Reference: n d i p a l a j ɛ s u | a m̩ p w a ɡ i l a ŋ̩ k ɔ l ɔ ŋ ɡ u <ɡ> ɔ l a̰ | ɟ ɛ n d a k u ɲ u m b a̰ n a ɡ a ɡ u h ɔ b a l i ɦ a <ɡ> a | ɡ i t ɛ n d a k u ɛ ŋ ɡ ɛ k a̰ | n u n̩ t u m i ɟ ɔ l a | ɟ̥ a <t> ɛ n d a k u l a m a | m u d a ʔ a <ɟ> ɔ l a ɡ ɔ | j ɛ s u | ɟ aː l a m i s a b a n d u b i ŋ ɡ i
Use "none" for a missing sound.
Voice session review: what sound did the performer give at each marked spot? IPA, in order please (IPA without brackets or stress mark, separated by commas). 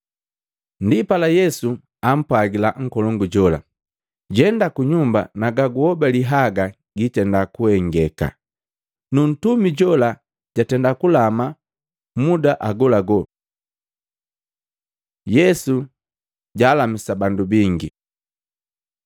ɟ, ɡ, t, ɡ